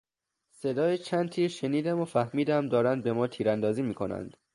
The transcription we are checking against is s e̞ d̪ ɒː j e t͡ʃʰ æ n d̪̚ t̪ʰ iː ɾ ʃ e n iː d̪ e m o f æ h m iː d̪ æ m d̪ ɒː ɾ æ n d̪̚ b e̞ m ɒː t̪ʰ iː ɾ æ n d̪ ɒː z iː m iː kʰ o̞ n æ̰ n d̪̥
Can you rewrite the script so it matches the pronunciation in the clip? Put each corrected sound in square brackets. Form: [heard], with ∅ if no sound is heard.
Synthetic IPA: s e̞ d̪ ɒː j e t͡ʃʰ æ n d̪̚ t̪ʰ iː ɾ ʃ e n iː d̪ [æ] m o f æ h m iː d̪ æ m d̪ ɒː ɾ æ n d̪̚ b e̞ m ɒː t̪ʰ iː ɾ æ n d̪ ɒː z iː m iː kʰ o̞ n æ̰ n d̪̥